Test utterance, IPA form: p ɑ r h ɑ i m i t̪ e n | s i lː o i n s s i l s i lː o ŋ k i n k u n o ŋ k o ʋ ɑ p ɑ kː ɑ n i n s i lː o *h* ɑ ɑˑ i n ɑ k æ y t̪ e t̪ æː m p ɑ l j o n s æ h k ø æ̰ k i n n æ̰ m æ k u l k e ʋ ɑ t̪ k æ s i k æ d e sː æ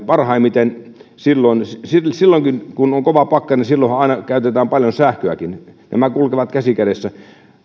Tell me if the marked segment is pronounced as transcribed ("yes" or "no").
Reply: yes